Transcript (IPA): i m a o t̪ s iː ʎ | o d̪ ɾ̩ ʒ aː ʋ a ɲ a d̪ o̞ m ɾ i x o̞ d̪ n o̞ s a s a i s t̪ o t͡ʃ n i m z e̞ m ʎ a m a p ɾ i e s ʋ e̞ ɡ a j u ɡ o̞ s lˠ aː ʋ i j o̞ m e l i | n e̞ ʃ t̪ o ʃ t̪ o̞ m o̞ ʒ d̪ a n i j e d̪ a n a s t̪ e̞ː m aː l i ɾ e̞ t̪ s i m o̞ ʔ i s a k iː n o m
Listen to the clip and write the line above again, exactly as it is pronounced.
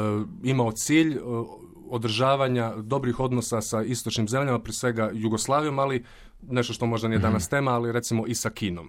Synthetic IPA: i m a o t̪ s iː ʎ | o d̪ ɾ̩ ʒ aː ʋ a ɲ a d̪ o̞ b ɾ i x o̞ d̪ n o̞ s a s a i s t̪ o t͡ʃ n i m z e̞ m ʎ a m a p ɾ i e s ʋ e̞ ɡ a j u ɡ o̞ s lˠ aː ʋ i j o̞ m a l i | n e̞ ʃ t̪ o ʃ t̪ o̞ m o̞ ʒ d̪ a n i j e d̪ a n a s t̪ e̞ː m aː l i ɾ e̞ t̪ s i m o̞ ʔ i s a k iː n o m